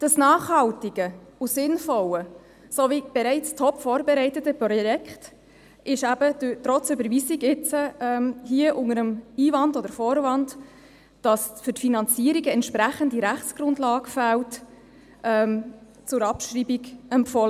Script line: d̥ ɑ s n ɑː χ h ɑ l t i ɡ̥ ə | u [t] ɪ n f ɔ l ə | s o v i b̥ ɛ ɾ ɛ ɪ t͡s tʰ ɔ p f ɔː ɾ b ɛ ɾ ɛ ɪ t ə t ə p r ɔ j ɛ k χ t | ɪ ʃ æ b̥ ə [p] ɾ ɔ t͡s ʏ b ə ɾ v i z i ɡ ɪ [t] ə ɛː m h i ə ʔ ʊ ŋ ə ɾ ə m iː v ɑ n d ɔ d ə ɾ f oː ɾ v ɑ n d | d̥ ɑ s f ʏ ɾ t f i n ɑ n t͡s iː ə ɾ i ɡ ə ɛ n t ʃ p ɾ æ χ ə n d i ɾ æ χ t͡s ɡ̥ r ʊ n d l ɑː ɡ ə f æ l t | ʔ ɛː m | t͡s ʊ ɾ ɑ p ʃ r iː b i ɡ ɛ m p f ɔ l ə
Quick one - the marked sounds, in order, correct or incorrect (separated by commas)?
incorrect, incorrect, incorrect